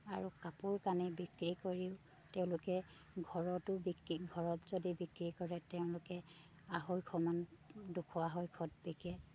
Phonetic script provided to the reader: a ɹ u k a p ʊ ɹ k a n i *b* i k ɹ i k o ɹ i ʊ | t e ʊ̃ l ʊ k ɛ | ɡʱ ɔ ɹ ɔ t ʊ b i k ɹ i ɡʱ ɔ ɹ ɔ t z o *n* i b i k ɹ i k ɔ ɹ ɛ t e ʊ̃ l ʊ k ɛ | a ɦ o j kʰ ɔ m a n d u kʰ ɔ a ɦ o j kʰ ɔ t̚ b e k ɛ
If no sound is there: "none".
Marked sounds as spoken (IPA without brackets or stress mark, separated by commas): b, d